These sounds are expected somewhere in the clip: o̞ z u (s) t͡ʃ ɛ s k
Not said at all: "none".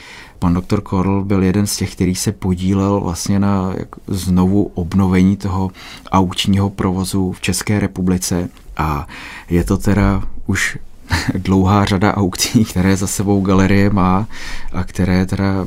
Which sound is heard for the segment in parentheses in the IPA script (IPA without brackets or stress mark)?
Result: f